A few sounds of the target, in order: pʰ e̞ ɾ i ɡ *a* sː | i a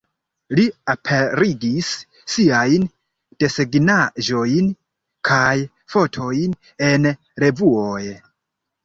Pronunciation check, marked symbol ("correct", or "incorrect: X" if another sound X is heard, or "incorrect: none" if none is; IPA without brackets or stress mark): incorrect: i